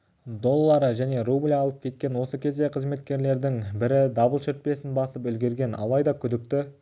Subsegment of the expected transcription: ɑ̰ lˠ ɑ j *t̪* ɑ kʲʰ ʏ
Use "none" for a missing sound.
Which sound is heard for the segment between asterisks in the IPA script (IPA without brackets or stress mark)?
d̪